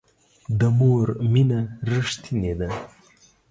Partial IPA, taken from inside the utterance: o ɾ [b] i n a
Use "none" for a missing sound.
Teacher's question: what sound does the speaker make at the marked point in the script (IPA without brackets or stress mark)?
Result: m